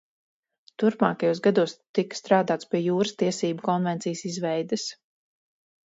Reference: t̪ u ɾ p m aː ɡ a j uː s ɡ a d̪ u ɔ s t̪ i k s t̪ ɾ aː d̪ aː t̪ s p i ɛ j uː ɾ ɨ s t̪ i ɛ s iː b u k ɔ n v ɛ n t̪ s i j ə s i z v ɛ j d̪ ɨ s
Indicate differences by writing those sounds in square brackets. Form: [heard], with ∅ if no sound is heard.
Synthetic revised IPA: t̪ u ɾ p m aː [k] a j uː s ɡ a d̪ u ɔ s t̪ i k s t̪ ɾ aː d̪ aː t̪ s p i ɛ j uː ɾ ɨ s t̪ i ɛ s iː b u k ɔ n v ɛ n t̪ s i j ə s i z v ɛ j d̪ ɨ s

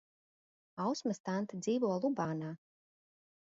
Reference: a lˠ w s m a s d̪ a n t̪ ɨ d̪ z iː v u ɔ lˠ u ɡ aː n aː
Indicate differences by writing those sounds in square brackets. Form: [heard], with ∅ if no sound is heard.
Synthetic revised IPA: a [∅] w s m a s [t̪] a n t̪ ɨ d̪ z iː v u ɔ lˠ u [b] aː n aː

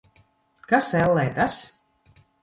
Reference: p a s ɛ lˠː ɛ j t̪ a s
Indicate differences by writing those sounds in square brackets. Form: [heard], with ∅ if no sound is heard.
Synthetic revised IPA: [k] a s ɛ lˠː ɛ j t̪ a s

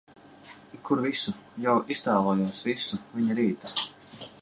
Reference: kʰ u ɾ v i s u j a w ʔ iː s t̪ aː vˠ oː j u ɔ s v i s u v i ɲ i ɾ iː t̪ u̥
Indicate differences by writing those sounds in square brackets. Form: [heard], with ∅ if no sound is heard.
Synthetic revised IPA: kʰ u ɾ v i s u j a w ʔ [i] s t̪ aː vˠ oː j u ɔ s v i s u v i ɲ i ɾ iː t̪ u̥

